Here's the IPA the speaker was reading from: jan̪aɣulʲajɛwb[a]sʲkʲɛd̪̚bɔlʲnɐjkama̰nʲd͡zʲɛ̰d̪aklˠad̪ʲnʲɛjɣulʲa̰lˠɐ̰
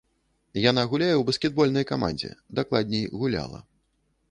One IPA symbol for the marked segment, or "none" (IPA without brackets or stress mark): ɐ